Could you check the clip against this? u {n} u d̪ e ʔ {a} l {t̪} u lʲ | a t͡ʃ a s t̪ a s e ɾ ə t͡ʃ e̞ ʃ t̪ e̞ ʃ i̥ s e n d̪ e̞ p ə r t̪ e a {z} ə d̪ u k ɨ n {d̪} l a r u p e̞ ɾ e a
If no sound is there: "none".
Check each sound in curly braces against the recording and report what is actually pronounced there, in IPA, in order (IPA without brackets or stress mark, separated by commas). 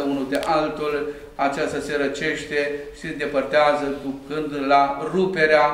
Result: n, a, t̪, z, d̪